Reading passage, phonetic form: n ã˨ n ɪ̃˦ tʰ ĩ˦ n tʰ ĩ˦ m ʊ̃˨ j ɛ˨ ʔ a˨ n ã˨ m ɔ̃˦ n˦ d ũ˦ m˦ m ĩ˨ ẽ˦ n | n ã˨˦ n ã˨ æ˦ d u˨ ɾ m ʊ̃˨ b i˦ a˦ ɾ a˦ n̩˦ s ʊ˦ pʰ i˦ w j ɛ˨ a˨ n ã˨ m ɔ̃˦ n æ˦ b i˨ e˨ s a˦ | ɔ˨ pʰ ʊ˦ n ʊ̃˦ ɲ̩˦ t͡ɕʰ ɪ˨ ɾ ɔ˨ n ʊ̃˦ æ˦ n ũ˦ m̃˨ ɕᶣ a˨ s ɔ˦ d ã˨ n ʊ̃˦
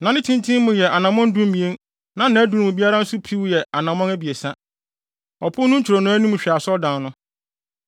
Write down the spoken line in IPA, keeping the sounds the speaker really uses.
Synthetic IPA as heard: n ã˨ n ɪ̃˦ tʰ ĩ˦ n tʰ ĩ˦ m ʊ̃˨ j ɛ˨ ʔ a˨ n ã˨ m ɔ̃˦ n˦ d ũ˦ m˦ m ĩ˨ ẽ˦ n | n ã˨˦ n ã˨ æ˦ d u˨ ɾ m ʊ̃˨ b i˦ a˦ ɾ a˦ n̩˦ s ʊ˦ pʰ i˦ w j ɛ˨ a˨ n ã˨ m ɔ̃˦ n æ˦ b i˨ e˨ s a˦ | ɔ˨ pʰ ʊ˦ n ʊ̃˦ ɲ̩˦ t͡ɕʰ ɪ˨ ɾ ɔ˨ n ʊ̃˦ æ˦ n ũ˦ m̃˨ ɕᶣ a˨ s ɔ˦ d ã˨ n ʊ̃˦